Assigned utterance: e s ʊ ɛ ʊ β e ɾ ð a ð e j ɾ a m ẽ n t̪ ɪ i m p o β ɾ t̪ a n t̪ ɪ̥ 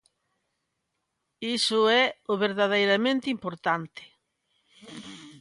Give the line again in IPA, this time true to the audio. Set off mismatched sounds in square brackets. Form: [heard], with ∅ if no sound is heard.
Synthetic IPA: [i] s ʊ ɛ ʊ β e ɾ ð a ð e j ɾ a m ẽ n t̪ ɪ i m p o [∅] ɾ t̪ a n t̪ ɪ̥